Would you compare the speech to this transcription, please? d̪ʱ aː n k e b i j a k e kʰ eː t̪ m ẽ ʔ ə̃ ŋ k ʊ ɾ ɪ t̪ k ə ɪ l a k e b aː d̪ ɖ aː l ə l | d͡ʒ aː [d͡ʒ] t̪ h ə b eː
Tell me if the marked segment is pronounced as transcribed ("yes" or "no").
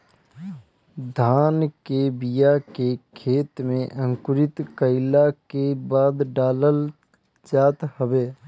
no